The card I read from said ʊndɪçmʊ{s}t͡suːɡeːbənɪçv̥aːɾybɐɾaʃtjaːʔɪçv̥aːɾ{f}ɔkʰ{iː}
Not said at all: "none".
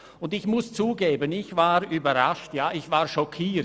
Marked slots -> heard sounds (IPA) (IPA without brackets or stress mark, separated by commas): s, ʃ, iː